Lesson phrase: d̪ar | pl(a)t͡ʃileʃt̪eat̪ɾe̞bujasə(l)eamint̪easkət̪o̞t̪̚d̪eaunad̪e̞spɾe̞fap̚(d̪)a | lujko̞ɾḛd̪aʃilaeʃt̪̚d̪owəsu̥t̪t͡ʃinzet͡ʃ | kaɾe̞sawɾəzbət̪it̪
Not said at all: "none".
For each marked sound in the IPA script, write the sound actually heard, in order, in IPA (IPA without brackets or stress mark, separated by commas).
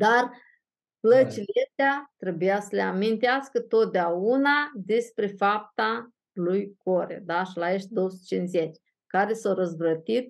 ə, l, t̪